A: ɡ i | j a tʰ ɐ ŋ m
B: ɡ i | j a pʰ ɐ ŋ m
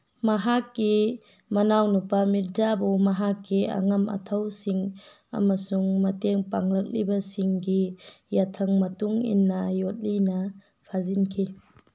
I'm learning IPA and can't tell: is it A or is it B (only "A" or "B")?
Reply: A